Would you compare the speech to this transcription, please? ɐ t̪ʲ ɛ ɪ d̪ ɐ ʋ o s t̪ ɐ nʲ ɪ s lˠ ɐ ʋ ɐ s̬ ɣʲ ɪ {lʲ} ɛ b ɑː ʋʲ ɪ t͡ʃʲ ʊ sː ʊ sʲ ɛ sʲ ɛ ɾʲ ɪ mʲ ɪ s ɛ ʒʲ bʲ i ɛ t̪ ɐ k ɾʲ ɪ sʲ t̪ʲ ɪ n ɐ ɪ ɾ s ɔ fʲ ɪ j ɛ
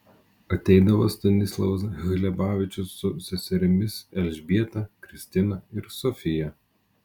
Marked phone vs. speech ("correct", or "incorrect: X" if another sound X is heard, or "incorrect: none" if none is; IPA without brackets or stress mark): correct